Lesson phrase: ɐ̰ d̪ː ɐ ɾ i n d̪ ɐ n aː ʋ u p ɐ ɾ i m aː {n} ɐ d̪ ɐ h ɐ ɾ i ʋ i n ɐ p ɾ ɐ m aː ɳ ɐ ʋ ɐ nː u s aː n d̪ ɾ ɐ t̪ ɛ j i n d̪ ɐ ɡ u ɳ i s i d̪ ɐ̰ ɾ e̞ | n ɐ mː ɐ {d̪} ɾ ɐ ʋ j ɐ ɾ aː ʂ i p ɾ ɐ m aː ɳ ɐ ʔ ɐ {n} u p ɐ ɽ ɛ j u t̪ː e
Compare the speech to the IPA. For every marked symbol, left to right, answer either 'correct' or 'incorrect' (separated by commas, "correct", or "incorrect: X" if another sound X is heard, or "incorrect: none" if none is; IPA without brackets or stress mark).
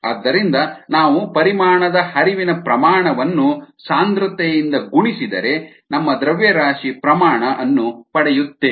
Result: incorrect: ɳ, correct, incorrect: nː